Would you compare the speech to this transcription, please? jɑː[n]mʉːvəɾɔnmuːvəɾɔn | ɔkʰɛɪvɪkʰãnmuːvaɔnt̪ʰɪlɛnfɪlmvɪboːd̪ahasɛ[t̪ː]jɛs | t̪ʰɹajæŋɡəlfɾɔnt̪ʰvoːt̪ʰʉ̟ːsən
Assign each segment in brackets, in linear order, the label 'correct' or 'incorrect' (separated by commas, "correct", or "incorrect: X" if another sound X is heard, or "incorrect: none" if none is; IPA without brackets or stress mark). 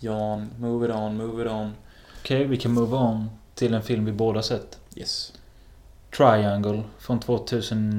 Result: correct, correct